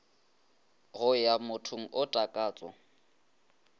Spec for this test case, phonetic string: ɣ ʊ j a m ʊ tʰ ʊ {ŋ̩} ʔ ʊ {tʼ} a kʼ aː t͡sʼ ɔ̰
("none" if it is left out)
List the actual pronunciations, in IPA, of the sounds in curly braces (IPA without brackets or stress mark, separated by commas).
ŋ̩, tʼ